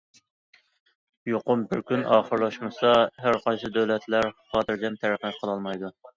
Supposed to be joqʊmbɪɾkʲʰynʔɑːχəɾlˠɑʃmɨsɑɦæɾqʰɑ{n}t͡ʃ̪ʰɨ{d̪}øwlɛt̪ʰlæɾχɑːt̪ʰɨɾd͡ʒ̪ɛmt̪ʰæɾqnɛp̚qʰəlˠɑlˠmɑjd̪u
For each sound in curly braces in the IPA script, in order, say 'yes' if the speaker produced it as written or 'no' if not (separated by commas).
yes, yes